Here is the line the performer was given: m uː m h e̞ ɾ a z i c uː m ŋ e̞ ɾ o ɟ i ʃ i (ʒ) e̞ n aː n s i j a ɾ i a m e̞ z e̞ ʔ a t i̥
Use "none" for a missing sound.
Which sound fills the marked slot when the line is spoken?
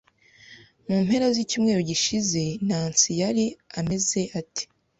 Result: z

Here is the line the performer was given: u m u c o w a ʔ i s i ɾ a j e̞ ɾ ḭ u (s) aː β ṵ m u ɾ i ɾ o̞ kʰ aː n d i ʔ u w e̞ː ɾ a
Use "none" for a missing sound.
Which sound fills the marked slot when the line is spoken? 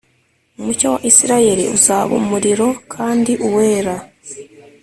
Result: z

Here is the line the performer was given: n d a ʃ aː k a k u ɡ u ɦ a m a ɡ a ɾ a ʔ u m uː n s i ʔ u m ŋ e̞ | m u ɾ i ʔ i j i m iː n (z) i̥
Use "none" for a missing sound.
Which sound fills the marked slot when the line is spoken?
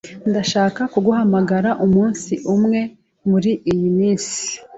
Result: s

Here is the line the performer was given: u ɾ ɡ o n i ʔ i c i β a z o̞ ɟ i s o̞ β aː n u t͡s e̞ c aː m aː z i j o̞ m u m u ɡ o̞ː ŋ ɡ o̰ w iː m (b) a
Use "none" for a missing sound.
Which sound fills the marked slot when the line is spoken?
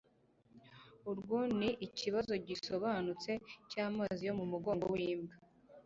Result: ɡ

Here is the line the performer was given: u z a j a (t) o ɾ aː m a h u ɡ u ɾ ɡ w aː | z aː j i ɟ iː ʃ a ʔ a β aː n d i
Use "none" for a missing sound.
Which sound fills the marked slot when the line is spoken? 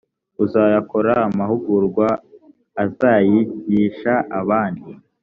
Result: k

